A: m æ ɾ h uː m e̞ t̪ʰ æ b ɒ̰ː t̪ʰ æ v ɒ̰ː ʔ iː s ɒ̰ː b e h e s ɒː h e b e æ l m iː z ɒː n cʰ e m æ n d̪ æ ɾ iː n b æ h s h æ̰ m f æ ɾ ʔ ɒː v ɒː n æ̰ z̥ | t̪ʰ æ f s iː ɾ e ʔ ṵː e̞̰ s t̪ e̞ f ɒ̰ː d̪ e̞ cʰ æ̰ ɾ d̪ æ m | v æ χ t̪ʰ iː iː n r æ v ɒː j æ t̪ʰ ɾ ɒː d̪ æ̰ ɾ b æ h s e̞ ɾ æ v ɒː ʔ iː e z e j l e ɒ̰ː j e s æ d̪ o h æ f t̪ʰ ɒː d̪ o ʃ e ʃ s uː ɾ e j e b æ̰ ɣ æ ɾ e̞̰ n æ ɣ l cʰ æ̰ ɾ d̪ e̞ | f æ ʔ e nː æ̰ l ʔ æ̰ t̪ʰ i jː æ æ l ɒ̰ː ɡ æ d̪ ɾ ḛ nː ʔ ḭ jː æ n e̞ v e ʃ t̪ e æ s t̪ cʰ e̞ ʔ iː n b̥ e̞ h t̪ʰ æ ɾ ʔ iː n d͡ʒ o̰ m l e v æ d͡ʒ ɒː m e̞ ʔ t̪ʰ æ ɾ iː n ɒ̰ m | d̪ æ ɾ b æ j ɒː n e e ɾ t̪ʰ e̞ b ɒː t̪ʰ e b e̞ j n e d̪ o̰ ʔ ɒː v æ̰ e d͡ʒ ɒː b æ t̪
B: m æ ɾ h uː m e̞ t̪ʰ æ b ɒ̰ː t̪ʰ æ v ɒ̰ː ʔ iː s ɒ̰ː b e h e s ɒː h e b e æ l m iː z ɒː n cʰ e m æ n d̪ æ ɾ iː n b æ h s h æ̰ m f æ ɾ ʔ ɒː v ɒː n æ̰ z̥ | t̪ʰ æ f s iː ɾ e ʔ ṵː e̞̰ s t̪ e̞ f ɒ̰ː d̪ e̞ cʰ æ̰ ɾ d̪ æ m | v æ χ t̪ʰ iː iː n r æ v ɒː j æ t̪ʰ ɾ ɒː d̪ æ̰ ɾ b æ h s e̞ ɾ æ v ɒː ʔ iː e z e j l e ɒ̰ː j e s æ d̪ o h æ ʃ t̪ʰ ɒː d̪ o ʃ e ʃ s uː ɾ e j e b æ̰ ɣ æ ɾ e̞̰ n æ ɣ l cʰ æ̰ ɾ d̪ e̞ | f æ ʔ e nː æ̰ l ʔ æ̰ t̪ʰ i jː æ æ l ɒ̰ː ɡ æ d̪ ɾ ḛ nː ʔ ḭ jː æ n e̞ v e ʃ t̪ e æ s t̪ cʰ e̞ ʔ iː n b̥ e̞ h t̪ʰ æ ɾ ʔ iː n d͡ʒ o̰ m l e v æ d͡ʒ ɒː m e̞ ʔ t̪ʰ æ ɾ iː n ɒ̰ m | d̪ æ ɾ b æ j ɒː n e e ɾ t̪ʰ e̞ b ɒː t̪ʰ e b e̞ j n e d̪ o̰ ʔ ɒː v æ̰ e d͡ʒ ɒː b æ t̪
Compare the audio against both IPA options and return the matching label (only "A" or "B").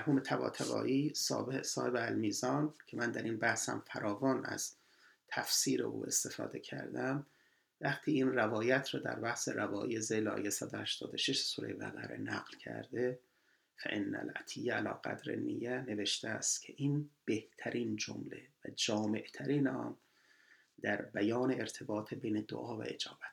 B